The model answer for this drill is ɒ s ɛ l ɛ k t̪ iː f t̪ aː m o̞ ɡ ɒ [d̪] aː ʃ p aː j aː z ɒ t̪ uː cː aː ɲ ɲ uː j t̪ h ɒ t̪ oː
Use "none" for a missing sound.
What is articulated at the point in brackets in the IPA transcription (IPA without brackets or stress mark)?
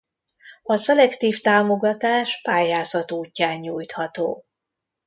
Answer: t̪